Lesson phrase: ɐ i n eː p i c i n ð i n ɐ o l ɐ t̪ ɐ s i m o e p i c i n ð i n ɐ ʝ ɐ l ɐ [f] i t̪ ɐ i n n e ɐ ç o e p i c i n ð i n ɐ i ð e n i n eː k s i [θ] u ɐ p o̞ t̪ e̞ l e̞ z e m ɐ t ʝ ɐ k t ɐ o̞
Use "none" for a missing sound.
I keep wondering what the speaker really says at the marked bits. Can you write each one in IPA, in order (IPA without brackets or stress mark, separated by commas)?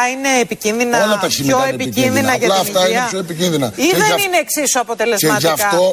f, s